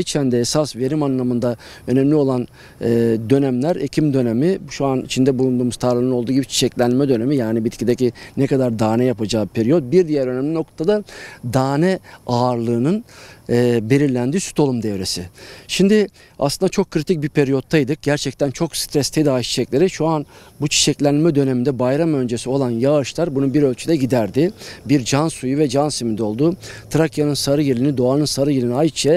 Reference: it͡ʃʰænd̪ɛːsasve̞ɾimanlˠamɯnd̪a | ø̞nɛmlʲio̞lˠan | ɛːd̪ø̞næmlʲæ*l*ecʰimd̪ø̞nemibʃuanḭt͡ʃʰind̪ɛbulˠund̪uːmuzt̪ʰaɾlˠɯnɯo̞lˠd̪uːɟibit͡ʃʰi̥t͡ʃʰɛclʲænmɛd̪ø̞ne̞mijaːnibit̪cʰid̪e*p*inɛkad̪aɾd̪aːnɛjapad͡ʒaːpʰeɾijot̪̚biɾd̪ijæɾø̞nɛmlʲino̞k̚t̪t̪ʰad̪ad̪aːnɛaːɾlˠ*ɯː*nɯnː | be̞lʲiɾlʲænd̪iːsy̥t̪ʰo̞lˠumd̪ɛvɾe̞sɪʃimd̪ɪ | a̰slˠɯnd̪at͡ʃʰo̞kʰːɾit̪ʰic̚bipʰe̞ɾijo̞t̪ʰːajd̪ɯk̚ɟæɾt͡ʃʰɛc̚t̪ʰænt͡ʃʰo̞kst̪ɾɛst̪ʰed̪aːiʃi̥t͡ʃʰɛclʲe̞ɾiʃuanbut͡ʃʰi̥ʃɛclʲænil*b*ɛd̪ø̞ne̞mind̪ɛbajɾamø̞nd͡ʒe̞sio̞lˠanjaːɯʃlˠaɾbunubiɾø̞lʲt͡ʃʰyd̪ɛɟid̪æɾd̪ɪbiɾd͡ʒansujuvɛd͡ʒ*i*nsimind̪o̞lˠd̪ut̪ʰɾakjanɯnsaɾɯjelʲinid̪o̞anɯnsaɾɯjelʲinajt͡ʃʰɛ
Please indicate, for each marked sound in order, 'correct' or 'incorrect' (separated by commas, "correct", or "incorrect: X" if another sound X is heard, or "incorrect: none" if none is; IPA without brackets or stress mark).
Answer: incorrect: ɾ, incorrect: c, correct, incorrect: m, incorrect: a